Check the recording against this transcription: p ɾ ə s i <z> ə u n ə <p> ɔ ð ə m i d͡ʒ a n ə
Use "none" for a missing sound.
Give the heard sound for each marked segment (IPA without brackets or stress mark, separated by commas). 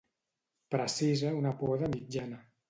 z, p